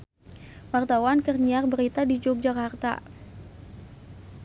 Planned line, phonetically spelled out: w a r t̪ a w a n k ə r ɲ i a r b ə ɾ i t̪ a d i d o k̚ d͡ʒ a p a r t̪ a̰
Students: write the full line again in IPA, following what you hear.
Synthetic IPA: w a r t̪ a w a n k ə r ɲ i a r b ə ɾ i t̪ a d i d͡ʒ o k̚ d͡ʒ a k a r t̪ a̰